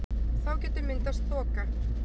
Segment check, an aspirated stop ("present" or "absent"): absent